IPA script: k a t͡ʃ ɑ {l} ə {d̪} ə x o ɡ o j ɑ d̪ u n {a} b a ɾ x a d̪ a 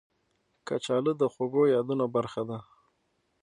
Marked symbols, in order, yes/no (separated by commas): yes, yes, yes